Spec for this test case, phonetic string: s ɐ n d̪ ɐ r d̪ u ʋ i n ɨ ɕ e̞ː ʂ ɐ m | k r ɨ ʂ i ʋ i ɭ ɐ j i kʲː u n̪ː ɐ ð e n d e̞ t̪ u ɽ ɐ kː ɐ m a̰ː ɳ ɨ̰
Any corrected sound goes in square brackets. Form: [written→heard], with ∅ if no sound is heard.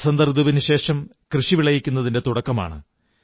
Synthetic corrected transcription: s ɐ n d̪ ɐ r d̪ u ʋ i n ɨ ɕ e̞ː ʂ ɐ m | k r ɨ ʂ i ʋ i ɭ ɐ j i kʲː u n̪ː ɐ ð [e→i] n d e̞ t̪ u ɽ ɐ kː ɐ m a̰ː ɳ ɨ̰